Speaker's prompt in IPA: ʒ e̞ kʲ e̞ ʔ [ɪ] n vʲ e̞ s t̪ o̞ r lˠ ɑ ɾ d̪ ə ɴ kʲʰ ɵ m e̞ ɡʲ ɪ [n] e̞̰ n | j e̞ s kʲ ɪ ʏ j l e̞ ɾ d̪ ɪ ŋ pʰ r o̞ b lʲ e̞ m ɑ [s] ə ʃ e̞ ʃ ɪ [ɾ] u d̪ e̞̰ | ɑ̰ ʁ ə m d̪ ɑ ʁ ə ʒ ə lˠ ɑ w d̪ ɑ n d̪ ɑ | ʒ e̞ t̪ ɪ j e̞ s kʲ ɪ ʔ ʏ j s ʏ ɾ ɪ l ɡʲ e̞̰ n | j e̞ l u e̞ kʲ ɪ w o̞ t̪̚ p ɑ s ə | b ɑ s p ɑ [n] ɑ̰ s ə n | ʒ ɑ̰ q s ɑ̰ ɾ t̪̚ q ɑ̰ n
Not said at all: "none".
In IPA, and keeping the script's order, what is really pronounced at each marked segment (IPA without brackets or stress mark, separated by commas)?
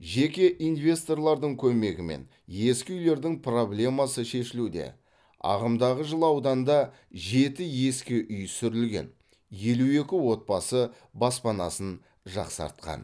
i, m, s, l, n